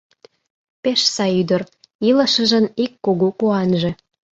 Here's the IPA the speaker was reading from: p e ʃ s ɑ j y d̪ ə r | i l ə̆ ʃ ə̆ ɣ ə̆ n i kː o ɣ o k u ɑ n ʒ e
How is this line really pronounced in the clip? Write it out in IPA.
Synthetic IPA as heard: p e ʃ s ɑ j y d̪ ə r | i l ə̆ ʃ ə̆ ʒ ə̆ n i kː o ɣ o k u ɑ n ʒ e